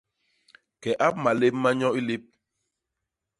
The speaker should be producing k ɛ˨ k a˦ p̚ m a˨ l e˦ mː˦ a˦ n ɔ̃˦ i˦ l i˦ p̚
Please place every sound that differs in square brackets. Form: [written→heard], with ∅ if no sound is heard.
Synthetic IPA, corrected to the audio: k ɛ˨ [k→ʔ] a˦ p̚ m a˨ l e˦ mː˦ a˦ [n→ɲ] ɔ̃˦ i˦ l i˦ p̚